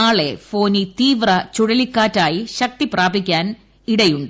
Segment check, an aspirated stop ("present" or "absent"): absent